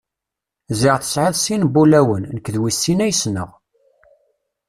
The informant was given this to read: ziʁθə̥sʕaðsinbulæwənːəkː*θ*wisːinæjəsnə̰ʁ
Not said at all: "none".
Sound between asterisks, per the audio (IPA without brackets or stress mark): ð